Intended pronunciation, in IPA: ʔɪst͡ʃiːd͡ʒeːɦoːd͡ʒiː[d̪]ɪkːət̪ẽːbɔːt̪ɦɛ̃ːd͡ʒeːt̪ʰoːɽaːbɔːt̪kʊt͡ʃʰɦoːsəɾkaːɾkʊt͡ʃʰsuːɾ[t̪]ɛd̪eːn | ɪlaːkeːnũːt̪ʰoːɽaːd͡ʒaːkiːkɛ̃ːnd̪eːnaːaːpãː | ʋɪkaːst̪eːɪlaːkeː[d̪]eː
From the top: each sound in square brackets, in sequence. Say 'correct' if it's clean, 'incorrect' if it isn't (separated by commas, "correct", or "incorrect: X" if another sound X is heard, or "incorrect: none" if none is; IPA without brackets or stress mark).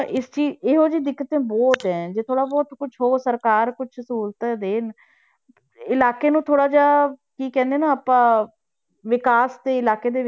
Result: correct, correct, correct